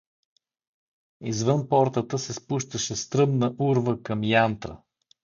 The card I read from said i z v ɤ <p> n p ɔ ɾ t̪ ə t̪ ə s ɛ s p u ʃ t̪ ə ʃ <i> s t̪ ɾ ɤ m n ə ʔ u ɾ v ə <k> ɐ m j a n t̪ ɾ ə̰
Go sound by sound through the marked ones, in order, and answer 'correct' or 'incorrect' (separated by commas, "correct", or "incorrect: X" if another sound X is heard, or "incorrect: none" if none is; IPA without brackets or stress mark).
incorrect: none, incorrect: ɛ, correct